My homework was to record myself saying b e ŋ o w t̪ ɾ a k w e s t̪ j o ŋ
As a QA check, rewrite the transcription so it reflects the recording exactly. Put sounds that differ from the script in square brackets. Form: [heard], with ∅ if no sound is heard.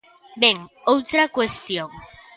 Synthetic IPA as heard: b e ŋ o w t̪ ɾ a k w e s t̪ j o ŋ